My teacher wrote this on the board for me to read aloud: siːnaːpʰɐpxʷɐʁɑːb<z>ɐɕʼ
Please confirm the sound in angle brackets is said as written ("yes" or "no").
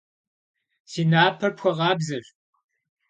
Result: yes